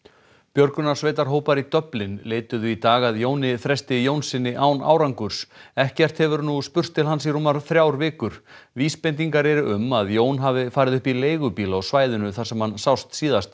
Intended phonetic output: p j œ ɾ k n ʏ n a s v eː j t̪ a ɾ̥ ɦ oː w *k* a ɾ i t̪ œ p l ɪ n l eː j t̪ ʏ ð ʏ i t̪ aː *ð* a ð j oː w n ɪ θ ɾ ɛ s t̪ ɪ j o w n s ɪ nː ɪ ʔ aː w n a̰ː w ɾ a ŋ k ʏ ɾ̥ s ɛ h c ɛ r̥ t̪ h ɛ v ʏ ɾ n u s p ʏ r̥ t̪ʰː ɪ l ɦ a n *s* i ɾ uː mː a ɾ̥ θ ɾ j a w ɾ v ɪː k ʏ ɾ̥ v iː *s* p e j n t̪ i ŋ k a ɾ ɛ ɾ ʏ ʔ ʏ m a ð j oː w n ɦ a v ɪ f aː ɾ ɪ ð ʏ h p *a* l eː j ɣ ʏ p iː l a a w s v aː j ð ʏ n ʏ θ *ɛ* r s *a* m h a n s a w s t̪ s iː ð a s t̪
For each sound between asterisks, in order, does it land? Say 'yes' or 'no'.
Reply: no, no, yes, yes, no, no, no

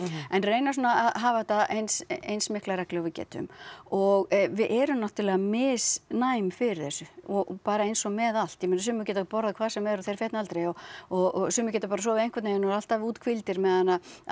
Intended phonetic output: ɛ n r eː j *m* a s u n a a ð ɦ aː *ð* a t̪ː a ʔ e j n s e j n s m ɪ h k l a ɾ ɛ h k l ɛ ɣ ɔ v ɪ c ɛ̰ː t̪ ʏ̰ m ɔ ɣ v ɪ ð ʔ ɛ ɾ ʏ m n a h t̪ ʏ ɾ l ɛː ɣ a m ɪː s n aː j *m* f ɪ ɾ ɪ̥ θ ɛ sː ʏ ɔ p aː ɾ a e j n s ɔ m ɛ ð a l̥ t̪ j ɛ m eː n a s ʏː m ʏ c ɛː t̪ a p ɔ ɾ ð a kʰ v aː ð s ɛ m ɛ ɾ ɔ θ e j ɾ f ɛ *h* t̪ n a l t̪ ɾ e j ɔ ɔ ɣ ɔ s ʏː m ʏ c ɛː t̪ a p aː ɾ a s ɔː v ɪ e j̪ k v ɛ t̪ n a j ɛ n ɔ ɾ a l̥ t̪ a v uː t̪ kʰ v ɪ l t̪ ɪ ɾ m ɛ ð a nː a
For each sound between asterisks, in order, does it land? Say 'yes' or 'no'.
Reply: no, no, yes, yes

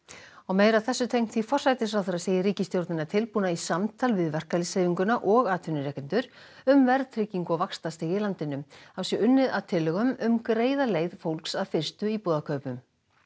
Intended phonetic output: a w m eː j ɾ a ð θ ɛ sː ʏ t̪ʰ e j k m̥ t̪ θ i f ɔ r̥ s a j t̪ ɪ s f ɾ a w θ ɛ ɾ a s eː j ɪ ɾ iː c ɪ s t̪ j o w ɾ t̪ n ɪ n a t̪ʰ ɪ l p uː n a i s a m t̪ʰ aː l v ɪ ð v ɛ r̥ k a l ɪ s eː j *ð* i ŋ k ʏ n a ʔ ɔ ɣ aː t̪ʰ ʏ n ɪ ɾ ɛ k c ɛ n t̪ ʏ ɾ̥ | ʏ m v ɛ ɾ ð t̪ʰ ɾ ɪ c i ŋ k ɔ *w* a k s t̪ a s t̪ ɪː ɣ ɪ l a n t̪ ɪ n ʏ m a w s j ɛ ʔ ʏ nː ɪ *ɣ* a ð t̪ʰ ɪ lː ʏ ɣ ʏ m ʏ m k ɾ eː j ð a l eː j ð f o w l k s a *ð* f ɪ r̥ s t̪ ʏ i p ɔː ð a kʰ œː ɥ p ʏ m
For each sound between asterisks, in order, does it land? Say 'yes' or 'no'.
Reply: no, no, no, yes

